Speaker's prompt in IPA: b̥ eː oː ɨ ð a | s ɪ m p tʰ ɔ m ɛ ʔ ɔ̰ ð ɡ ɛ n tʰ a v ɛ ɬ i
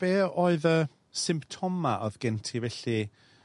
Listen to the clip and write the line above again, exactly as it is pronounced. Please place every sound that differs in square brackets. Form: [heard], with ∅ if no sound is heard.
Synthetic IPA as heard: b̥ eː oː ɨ ð [ə] | s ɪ m p tʰ ɔ m [a] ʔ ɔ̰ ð ɡ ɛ n tʰ [i] v ɛ ɬ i